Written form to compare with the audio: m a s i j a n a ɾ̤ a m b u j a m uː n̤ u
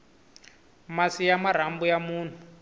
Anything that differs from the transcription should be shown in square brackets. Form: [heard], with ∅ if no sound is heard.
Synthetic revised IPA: m a s i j a [m] a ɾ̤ a m b u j a m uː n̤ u